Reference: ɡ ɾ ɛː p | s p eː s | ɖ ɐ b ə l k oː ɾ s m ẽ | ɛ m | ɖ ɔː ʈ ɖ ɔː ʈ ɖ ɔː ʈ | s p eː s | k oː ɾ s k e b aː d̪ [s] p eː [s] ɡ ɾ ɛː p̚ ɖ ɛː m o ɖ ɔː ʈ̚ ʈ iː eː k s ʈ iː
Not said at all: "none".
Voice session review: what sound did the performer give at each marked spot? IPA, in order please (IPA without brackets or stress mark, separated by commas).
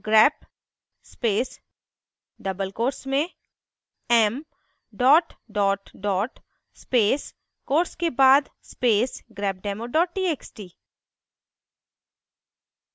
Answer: s, s